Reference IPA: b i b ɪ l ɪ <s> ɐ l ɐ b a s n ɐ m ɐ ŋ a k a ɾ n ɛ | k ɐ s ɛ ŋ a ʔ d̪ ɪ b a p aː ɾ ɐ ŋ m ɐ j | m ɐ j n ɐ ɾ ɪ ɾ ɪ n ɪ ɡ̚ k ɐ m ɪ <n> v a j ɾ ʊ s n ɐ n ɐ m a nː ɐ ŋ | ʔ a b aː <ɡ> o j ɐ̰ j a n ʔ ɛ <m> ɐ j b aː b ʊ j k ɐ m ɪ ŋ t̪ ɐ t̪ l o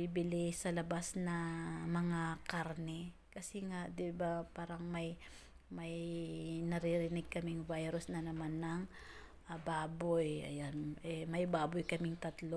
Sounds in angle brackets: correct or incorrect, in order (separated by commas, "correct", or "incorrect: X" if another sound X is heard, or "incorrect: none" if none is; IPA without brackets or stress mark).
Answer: correct, incorrect: ŋ, incorrect: b, correct